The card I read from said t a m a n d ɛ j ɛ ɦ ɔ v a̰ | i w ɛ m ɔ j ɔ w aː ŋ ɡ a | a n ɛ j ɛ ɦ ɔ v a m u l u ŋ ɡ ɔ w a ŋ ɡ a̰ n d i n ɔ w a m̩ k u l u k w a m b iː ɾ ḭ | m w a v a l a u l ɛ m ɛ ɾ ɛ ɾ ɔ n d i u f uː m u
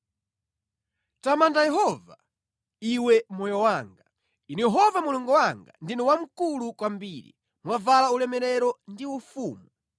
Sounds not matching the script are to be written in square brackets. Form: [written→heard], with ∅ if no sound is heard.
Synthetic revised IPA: t a m a n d [ɛ→a] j ɛ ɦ ɔ v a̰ | i w ɛ m ɔ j ɔ w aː ŋ ɡ a | [a→i] n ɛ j ɛ ɦ ɔ v a m u l u ŋ ɡ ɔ w a ŋ ɡ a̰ n d i n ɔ w a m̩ k u l u k w a m b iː ɾ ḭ | m w a v a l a u l ɛ m ɛ ɾ ɛ ɾ ɔ n d i u f uː m u